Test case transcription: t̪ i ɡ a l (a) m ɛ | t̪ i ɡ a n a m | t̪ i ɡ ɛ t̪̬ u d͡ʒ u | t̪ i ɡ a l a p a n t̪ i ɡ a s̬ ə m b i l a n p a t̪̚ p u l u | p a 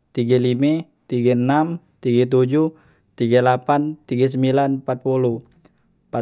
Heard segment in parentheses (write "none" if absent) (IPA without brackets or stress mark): i